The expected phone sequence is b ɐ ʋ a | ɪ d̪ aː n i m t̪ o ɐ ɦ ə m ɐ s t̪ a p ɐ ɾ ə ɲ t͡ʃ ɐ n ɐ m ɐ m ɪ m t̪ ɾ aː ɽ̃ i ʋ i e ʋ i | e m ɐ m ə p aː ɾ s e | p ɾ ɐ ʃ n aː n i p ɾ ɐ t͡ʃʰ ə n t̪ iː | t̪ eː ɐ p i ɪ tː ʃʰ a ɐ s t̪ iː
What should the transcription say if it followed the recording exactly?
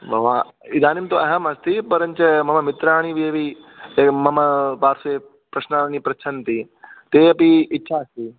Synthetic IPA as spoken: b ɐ ʋ a | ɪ d̪ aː n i m t̪ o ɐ ɦ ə m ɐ s t̪ i p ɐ ɾ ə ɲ t͡ʃ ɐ m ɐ m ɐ m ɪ t̪ ɾ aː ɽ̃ i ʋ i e ʋ i | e m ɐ m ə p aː ɾ s e | p ɾ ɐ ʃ n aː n i p ɾ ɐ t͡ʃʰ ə n t̪ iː | t̪ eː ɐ p i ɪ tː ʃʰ a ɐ s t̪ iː